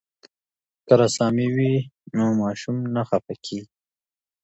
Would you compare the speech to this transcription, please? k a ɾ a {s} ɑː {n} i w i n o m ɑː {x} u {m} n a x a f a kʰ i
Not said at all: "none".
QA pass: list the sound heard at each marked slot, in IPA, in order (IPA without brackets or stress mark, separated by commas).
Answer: s, m, ʃ, m